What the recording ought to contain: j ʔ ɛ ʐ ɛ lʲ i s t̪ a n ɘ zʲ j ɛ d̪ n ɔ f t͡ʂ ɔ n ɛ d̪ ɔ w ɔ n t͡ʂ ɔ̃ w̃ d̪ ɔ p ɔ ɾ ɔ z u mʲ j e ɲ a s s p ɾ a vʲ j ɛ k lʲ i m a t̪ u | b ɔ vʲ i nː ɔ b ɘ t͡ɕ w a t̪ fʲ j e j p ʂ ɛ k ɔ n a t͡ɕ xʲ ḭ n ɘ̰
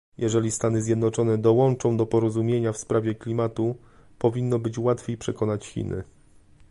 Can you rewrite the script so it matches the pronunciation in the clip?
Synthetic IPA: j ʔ ɛ ʐ ɛ lʲ i s t̪ a n ɘ zʲ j ɛ d̪ n ɔ t͡ʂ ɔ n ɛ d̪ ɔ w ɔ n t͡ʂ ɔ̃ w̃ d̪ ɔ p ɔ ɾ ɔ z u mʲ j e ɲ a f s p ɾ a vʲ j ɛ k lʲ i m a t̪ u | p ɔ vʲ i nː ɔ b ɘ t͡ɕ w a t̪ fʲ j e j p ʂ ɛ k ɔ n a t͡ɕ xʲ ḭ n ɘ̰